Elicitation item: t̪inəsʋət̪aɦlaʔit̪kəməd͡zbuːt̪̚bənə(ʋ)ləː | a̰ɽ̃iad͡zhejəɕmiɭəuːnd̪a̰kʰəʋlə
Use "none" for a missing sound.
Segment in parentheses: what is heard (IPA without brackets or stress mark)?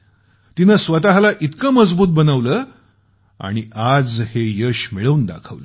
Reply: ʋ